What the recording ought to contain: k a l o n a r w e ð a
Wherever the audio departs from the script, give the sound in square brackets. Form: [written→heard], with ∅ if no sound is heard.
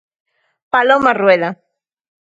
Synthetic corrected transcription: [k→p] a l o [n→m] a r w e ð a